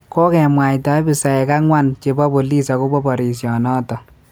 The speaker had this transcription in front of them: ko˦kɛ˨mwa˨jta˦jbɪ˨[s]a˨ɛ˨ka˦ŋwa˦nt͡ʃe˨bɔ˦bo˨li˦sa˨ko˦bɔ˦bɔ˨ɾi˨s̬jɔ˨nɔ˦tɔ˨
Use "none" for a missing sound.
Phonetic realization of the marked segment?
s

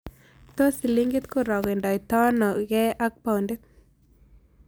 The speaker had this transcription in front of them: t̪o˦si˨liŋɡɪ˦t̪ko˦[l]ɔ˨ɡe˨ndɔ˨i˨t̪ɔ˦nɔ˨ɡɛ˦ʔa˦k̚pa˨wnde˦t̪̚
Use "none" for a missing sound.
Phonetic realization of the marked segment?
ɾ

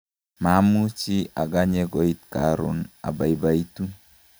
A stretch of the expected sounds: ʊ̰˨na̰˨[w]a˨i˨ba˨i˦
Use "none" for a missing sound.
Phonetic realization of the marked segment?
b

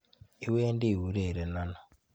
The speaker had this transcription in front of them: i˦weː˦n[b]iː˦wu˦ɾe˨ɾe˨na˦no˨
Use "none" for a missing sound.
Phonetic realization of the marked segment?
d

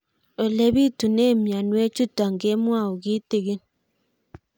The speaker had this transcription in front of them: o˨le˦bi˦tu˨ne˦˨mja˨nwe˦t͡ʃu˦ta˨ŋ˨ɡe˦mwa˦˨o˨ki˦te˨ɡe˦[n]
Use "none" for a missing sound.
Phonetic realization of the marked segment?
n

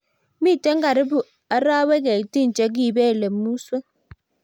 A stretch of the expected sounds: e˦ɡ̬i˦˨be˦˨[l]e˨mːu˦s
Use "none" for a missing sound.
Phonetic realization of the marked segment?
l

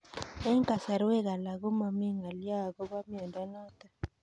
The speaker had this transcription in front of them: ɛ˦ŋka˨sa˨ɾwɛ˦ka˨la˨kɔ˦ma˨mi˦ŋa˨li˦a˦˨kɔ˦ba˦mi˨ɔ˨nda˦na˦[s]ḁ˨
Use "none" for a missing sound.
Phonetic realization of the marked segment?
t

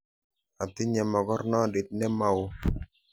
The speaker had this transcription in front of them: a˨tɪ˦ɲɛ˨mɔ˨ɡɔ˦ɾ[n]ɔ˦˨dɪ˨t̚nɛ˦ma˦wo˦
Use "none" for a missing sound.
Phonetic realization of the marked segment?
n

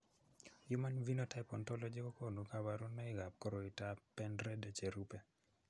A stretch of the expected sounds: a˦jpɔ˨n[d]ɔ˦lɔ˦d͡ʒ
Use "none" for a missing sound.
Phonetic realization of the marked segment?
t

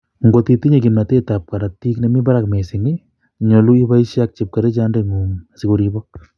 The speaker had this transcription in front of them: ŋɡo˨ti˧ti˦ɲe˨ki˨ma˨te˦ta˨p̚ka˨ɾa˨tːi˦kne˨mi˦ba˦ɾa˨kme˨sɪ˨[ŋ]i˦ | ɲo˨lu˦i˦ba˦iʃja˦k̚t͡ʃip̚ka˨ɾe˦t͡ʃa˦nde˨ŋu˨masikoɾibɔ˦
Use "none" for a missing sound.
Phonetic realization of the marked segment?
ŋ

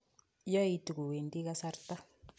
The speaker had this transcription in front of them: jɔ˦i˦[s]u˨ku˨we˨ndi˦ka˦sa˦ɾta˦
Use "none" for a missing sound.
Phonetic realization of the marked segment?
t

